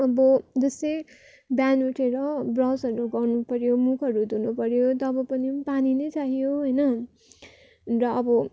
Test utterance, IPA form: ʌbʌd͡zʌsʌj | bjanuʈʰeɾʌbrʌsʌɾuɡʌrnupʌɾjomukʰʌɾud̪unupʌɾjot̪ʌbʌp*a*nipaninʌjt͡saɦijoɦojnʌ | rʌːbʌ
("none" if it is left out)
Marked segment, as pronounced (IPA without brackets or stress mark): ʌ